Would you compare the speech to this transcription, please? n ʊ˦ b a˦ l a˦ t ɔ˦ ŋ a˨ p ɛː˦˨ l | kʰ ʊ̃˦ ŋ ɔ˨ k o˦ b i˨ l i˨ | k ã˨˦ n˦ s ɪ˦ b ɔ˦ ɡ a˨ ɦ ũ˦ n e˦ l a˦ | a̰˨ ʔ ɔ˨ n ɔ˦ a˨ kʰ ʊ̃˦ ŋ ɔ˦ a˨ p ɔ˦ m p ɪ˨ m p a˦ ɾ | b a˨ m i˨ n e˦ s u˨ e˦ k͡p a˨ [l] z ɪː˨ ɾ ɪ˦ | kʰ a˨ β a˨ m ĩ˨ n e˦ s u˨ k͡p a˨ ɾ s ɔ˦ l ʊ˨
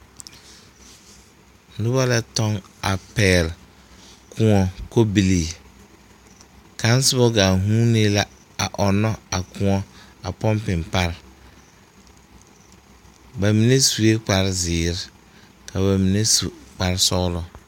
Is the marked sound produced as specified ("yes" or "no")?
no